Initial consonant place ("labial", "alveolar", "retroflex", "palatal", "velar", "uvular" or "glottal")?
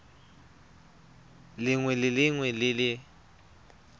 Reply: alveolar